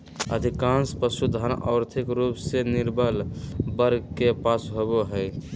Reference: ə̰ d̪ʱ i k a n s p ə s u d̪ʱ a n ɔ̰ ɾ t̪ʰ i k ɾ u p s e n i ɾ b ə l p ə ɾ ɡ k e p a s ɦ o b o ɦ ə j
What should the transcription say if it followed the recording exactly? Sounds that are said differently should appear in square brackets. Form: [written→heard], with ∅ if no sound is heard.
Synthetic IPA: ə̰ d̪ʱ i k a n s p ə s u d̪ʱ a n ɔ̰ ɾ t̪ʰ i k ɾ u p s e n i ɾ b ə l [p→b] ə ɾ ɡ k e p a s ɦ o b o ɦ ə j

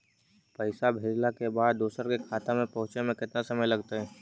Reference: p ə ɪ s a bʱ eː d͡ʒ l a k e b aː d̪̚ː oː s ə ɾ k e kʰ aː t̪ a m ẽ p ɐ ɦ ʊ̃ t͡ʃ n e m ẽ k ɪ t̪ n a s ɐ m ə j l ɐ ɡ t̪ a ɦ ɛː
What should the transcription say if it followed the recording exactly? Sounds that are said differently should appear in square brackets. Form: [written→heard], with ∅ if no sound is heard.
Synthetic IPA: p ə ɪ s a bʱ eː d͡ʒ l a k e b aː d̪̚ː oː s ə ɾ k e kʰ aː t̪ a m ẽ p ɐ ɦ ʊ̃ t͡ʃ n e m ẽ k ɪ t̪ n a s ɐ m ə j l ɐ ɡ t̪ a ɦ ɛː

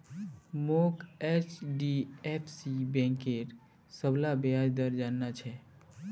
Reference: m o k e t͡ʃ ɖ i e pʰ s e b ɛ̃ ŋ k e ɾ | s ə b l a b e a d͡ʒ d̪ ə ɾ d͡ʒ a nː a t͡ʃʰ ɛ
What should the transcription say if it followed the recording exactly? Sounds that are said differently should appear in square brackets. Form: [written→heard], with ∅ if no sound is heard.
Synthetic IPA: m o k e t͡ʃ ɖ i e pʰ s [e→i] b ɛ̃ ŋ k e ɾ | s ə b l a b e a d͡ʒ d̪ ə ɾ d͡ʒ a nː a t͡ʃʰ ɛ

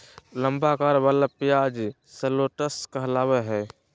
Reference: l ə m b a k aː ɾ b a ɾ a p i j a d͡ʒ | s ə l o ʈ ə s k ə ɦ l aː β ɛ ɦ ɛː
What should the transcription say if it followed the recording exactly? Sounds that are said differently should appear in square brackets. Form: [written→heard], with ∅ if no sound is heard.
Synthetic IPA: l ə m b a k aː ɾ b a [ɾ→l] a p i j a d͡ʒ | s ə l o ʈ ə s k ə ɦ l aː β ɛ ɦ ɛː

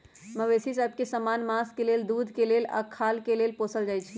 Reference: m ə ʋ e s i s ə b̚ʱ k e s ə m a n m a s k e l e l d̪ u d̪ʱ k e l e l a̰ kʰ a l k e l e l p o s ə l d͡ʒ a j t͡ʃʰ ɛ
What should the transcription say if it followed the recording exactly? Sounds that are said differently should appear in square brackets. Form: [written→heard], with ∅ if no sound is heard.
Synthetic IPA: m ə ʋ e s i s ə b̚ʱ k e s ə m a n m a s k e l e l d̪ u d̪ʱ k e l e l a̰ kʰ a l k e l e l p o s ə l d͡ʒ a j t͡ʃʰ [ɛ→i]

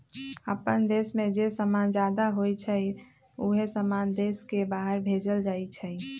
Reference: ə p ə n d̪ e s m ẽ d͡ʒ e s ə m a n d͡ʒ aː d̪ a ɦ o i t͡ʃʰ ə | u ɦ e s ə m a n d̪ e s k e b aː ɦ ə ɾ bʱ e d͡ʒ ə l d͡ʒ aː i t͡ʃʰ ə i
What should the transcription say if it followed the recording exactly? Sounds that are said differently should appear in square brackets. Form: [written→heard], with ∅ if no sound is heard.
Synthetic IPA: ə p ə n d̪ e s m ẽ d͡ʒ e s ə m a n d͡ʒ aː d̪ a ɦ o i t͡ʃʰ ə | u ɦ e s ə m a n d̪ e s k e b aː ɦ ə ɾ bʱ e d͡ʒ ə l d͡ʒ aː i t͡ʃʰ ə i

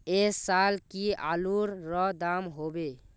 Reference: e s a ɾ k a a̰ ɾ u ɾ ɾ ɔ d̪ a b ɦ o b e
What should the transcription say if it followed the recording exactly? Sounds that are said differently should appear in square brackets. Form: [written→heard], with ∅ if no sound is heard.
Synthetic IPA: e s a [ɾ→l] k [a→i] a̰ [ɾ→l] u ɾ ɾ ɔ d̪ a [b→m] ɦ o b e

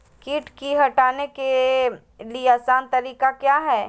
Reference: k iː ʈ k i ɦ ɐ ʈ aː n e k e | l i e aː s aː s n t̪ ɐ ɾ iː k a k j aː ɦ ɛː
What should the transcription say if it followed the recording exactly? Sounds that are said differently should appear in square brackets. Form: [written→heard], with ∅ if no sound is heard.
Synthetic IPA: k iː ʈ k i ɦ ɐ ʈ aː n e k e | l i e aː s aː [s→∅] n t̪ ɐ ɾ iː k a k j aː ɦ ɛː

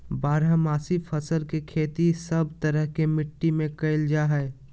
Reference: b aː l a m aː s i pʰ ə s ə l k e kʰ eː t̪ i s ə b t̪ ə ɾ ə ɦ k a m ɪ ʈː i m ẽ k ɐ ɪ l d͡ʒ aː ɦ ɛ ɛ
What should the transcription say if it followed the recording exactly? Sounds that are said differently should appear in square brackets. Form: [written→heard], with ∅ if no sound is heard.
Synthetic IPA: b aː [l→ɾ] a m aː s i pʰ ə s ə l k e kʰ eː t̪ i s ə b t̪ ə ɾ ə ɦ k [a→e] m ɪ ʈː i m ẽ k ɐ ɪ l d͡ʒ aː ɦ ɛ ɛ

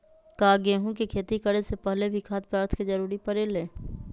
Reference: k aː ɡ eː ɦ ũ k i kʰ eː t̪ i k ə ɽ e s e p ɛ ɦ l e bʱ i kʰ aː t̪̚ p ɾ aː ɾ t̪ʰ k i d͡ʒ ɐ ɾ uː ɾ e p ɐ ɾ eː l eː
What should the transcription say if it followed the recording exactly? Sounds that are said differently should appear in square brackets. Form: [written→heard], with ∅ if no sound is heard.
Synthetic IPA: k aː ɡ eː ɦ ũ k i kʰ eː t̪ i k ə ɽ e s e p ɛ ɦ l e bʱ i kʰ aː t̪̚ p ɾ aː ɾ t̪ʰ k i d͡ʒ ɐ ɾ uː ɾ [e→i] p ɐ ɾ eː l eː

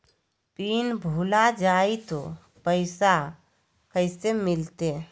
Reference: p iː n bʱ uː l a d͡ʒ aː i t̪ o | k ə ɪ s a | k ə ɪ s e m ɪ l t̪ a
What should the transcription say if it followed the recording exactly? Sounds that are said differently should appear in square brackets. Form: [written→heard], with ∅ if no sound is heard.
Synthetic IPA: p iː n bʱ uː l a d͡ʒ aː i t̪ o | [k→p] ə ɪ s a | k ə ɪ s e m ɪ l t̪ [a→e]

